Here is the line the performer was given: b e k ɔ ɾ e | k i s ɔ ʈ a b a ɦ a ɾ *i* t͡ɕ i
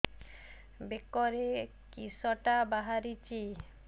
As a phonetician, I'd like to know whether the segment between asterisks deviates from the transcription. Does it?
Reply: no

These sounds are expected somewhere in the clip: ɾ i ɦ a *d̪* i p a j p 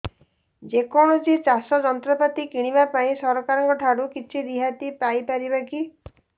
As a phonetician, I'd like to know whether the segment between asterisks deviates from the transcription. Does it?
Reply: yes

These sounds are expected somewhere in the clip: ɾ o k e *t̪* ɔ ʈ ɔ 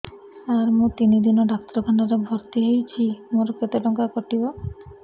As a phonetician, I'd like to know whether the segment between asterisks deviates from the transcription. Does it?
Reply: no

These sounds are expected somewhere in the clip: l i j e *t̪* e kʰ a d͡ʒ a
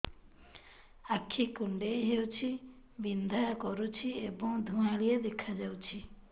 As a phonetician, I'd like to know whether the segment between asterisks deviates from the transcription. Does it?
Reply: yes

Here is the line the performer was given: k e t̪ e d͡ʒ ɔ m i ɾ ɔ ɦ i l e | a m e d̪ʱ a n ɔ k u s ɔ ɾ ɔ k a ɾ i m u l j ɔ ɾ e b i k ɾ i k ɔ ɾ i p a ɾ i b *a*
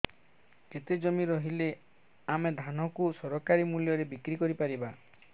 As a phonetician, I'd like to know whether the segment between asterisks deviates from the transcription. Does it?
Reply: no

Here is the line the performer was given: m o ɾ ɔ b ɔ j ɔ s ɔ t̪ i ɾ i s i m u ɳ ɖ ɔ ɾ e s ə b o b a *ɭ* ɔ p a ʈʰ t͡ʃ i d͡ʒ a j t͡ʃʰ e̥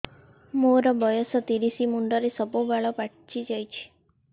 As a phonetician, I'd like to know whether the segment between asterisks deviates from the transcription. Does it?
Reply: no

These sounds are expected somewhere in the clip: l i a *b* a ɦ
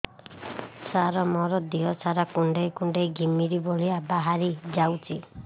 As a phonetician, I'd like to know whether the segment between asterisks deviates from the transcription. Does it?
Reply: no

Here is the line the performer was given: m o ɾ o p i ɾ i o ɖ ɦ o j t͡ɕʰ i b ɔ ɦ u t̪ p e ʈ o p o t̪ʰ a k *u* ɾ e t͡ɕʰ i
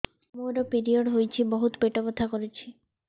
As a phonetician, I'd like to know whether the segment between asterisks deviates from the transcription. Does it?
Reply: yes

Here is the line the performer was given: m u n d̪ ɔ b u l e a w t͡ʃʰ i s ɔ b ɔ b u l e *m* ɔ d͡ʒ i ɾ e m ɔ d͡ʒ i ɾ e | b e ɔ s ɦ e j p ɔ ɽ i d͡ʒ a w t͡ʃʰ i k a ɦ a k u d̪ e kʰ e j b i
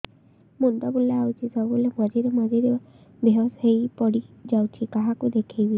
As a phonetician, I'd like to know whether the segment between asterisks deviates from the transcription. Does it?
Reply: no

